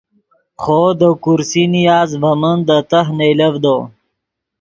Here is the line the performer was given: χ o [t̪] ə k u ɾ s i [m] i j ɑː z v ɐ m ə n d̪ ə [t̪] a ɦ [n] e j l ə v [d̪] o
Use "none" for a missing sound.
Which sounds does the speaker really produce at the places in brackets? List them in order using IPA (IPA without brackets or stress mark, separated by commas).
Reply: d̪, n, t̪, n, d̪